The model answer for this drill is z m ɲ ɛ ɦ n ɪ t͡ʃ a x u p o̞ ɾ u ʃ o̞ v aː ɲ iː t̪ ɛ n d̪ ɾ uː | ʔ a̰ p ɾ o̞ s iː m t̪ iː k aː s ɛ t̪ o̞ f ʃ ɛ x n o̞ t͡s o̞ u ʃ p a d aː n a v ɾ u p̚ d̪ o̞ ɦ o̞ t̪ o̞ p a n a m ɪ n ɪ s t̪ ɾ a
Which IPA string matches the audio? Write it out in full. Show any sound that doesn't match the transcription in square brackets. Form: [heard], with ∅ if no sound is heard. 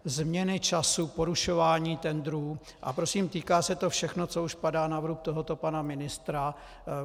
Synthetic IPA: z m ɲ ɛ [∅] n ɪ t͡ʃ a [s] u p o̞ ɾ u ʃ o̞ v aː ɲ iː t̪ ɛ n d̪ ɾ uː | ʔ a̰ p ɾ o̞ s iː m t̪ iː k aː s ɛ t̪ o̞ f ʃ ɛ x n o̞ t͡s o̞ u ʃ p a d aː n a v ɾ u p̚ [t̪] o̞ ɦ o̞ t̪ o̞ p a n a m ɪ n ɪ s t̪ ɾ a